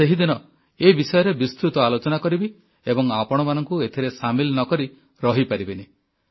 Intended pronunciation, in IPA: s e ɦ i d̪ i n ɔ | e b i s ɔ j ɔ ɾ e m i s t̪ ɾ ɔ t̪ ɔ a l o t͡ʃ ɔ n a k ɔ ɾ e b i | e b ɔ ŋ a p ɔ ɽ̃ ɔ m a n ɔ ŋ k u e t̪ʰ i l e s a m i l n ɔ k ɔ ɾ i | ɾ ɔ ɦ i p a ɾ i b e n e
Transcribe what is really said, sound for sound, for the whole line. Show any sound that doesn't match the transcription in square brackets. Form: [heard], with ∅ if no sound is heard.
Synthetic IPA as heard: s e ɦ i d̪ i n ɔ | e b i s ɔ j ɔ ɾ e [b] i s t̪ ɾ [u] t̪ ɔ a l o t͡ʃ ɔ n a k ɔ ɾ [i] b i | e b ɔ ŋ a p ɔ ɽ̃ ɔ m a n ɔ ŋ k u e t̪ʰ i [ɾ] e s a m i l n ɔ k ɔ ɾ i | ɾ ɔ ɦ i p a ɾ i b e n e